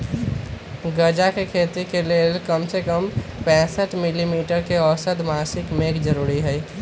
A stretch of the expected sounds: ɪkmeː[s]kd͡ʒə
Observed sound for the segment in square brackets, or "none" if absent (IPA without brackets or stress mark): none